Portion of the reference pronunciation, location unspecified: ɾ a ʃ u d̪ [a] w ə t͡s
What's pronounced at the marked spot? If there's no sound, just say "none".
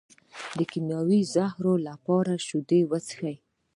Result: e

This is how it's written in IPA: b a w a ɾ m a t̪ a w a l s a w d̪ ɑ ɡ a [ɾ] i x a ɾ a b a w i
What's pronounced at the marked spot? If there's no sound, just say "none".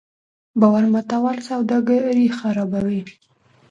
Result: ɾ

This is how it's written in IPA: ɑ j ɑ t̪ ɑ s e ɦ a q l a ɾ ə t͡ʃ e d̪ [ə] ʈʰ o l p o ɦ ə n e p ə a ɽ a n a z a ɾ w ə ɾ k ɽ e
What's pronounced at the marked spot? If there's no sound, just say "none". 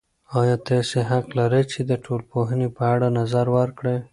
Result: ə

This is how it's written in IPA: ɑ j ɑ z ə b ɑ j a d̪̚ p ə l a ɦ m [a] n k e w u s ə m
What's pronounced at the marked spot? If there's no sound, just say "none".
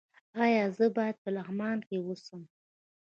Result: ɑ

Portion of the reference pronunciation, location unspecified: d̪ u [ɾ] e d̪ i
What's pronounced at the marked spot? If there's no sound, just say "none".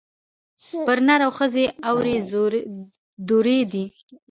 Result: ɾ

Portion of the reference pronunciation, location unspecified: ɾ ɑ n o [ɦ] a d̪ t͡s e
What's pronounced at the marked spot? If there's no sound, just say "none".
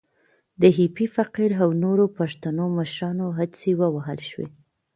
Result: ɦ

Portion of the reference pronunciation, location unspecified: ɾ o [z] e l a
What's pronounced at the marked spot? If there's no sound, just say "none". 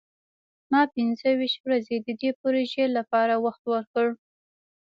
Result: ʒ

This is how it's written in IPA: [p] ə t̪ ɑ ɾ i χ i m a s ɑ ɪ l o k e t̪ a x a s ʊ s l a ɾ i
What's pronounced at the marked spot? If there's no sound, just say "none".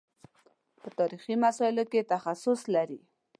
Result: p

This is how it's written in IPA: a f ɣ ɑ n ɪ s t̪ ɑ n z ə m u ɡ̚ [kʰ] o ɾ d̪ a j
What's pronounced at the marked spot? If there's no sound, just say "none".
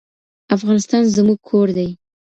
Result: kʰ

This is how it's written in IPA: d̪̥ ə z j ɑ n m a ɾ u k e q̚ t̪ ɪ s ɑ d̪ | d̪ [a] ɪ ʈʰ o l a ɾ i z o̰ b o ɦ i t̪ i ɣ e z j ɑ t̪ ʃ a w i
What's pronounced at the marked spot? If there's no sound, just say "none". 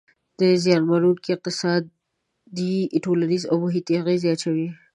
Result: i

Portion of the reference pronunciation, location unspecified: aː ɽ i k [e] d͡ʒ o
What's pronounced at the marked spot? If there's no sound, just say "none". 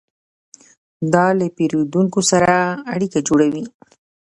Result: a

